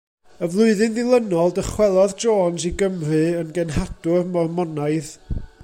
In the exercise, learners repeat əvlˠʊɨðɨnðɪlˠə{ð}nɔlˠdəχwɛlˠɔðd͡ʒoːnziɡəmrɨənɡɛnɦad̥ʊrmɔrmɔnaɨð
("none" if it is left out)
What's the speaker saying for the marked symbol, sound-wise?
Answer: none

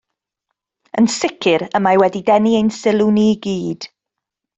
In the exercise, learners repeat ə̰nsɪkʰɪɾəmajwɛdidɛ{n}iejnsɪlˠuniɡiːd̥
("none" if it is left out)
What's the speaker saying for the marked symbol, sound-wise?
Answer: n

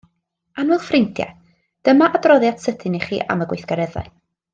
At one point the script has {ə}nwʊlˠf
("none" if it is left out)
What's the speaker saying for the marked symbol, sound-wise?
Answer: a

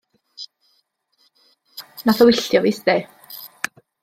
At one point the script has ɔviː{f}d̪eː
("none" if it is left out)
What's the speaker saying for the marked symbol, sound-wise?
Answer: s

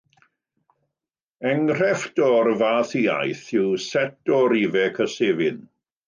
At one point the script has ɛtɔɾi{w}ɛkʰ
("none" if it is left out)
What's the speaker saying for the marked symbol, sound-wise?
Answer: v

